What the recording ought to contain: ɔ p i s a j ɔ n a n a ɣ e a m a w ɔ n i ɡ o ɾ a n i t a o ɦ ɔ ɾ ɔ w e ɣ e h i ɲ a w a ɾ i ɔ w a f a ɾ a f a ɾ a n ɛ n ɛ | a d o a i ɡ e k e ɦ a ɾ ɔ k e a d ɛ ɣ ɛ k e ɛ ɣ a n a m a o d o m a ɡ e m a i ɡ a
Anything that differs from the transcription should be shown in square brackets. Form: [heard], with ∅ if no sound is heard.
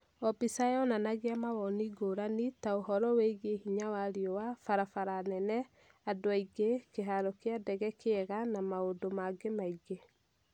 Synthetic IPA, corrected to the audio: ɔ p i s a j ɔ n a n a ɣ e a m a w ɔ n i ɡ o ɾ a n i t a o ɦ ɔ ɾ ɔ w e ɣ e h i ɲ a w a ɾ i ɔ w a f a ɾ a f a ɾ a n ɛ n ɛ | a d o a i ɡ e k e ɦ a ɾ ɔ k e a d ɛ ɣ ɛ k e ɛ ɣ a n a m a o d o m a ɡ e m a i ɡ [e]